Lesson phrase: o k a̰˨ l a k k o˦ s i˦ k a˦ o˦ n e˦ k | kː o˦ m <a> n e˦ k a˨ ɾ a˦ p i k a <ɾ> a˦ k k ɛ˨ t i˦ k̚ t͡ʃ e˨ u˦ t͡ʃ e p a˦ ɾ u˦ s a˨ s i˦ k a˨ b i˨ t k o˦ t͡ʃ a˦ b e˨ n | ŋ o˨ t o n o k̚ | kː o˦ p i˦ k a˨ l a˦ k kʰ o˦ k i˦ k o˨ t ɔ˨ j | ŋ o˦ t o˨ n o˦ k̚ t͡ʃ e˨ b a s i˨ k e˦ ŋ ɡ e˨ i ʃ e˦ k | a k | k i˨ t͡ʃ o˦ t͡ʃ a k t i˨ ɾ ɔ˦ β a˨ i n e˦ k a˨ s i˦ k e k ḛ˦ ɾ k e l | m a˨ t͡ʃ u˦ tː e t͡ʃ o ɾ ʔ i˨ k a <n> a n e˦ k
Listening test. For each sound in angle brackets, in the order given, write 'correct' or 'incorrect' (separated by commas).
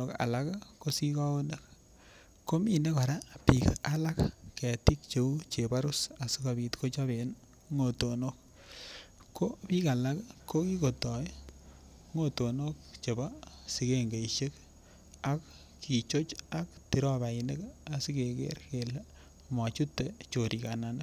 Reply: incorrect, incorrect, correct